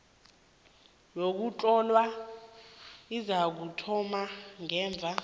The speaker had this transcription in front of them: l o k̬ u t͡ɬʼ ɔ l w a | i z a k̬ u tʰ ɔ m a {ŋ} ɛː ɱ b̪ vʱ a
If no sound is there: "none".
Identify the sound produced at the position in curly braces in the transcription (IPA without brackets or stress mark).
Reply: ŋ